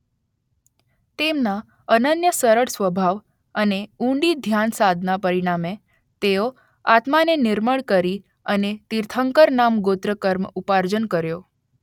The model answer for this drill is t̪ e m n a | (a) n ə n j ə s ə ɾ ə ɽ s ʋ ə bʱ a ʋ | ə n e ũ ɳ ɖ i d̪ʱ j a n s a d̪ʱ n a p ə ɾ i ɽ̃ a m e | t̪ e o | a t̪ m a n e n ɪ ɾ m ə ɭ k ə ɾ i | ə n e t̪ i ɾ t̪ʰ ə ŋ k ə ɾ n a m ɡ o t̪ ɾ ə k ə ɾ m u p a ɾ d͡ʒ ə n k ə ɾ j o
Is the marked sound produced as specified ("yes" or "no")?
no